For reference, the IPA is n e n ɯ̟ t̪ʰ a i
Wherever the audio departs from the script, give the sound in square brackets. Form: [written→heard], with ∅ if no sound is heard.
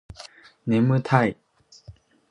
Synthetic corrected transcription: n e [n→m] ɯ̟ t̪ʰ a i